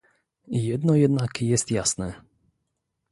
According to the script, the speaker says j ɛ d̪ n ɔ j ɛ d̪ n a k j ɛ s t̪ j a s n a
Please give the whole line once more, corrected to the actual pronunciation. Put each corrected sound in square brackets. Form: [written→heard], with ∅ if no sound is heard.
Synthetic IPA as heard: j ɛ d̪ n ɔ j ɛ d̪ n a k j ɛ s t̪ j a s n [a→ɛ]